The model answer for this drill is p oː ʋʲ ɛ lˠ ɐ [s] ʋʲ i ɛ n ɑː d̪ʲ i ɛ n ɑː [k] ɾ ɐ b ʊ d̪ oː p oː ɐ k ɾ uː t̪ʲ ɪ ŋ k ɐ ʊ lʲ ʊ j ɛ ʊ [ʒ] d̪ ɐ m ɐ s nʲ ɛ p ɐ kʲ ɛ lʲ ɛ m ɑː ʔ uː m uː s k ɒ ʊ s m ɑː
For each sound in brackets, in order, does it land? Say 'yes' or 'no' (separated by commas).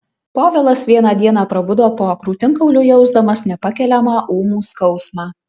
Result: yes, no, no